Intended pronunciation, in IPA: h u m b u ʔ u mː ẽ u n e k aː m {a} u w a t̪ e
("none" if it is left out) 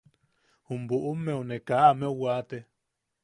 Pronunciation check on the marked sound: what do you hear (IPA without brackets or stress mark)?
e